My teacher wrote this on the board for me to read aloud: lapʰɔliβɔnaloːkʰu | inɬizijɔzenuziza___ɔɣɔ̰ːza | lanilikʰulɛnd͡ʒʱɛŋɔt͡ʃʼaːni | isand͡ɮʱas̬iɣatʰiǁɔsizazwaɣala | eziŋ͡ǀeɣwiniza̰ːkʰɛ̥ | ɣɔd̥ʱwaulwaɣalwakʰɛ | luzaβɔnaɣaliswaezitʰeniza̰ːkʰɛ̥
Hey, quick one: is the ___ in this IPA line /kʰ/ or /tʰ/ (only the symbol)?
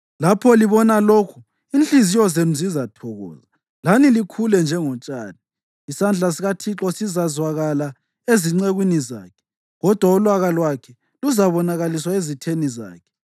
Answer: tʰ